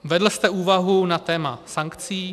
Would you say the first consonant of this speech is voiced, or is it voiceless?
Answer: voiced